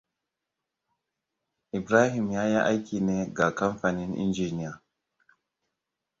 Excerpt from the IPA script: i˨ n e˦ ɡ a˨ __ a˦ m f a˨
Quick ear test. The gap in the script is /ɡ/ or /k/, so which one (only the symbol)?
k